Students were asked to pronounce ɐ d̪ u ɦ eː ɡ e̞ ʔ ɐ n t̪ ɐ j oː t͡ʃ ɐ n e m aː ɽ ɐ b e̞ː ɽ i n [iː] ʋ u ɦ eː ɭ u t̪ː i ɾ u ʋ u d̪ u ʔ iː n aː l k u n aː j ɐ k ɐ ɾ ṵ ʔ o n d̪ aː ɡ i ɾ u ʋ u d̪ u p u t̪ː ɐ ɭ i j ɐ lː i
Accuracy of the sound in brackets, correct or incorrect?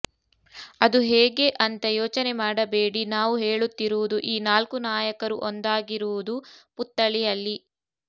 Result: incorrect